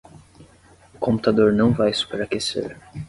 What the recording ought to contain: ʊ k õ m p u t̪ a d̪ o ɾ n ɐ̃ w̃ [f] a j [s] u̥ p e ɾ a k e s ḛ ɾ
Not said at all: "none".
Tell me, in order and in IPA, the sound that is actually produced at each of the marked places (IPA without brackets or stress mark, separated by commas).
v, s